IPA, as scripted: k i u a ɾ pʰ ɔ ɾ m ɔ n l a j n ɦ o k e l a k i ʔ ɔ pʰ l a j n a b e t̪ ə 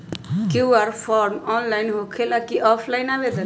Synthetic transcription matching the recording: k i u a ɾ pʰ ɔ ɾ m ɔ n l a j n ɦ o kʰ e l a k i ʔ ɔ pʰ l a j n a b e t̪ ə